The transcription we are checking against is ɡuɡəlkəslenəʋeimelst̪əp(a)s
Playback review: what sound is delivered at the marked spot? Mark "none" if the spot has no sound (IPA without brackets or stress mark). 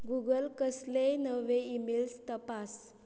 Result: a